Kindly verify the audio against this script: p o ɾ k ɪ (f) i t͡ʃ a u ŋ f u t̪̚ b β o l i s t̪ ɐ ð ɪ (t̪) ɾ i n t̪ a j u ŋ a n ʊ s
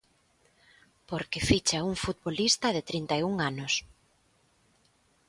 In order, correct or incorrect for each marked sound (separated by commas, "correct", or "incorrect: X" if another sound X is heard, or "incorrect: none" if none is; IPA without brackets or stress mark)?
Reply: correct, correct